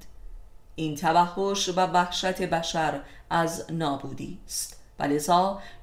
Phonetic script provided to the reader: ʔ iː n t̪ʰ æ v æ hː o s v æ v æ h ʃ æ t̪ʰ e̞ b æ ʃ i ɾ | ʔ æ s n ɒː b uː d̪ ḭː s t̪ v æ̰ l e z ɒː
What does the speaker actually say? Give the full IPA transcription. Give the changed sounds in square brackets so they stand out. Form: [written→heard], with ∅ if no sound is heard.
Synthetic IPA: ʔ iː n t̪ʰ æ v æ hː o [s→ʃ] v æ v æ h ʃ æ t̪ʰ e̞ b æ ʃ [i→æ] ɾ | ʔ æ [s→z] n ɒː b uː d̪ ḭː s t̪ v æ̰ l e z ɒː